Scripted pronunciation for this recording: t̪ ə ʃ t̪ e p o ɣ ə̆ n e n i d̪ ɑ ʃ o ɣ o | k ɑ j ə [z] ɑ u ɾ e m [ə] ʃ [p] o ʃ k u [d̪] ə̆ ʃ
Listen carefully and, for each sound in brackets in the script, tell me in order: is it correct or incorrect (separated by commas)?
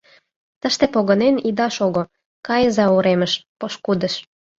correct, correct, correct, correct